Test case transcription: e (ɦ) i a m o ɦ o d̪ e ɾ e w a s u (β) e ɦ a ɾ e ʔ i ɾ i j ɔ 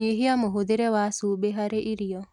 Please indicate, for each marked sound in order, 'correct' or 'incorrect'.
correct, incorrect

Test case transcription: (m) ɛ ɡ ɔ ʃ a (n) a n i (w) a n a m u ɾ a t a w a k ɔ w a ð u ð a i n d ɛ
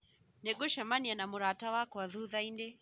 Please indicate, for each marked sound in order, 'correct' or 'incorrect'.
incorrect, incorrect, incorrect

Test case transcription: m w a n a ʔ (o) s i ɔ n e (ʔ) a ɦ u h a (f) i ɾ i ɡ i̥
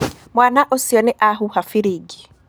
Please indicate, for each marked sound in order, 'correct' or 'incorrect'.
correct, correct, correct

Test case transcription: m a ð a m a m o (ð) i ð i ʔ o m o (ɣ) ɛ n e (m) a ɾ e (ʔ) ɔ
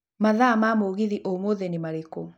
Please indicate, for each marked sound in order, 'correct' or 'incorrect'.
incorrect, incorrect, correct, incorrect

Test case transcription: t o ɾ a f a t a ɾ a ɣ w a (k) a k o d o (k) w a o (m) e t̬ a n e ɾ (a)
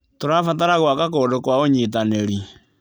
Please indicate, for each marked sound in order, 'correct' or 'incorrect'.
correct, correct, incorrect, incorrect

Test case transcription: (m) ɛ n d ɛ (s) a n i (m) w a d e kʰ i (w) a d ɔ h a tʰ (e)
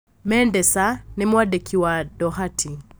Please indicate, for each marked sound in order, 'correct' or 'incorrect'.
correct, correct, correct, correct, incorrect

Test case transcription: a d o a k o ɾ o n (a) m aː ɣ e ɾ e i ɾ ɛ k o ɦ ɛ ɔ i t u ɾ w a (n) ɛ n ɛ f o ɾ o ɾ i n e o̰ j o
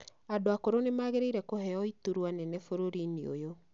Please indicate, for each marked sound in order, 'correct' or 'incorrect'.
incorrect, correct

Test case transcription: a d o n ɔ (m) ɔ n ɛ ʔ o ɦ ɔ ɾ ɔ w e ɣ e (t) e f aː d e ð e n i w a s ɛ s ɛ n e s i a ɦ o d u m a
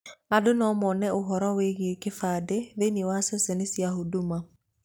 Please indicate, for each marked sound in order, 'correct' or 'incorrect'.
correct, incorrect

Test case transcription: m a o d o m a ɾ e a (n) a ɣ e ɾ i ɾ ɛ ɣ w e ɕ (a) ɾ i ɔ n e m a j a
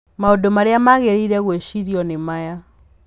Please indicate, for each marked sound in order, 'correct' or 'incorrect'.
incorrect, incorrect

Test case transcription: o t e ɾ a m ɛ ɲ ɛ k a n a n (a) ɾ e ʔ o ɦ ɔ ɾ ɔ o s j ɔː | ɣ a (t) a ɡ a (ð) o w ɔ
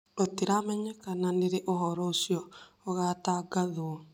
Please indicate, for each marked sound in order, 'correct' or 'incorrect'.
incorrect, correct, correct

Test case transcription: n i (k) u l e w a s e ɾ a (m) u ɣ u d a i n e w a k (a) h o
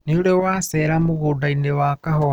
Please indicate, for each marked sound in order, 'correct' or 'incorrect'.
incorrect, correct, correct

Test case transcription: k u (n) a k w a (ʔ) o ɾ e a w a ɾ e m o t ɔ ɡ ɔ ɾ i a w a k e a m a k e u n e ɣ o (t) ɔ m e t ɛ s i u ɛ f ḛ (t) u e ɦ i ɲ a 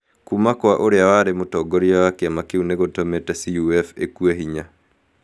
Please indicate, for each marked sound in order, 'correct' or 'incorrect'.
incorrect, correct, correct, incorrect

